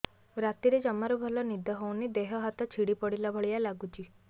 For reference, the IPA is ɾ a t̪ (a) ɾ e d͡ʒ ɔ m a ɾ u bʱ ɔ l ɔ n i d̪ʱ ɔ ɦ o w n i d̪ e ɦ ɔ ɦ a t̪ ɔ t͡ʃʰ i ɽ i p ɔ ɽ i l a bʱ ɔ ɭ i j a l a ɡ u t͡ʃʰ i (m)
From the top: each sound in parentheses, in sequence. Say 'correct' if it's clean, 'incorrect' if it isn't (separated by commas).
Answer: incorrect, incorrect